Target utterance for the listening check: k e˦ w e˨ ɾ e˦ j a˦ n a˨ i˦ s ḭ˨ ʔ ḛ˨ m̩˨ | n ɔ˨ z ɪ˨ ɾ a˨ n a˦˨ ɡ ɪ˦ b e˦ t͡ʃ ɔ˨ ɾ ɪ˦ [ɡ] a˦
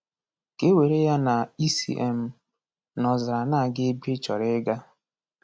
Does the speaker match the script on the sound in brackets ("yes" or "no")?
yes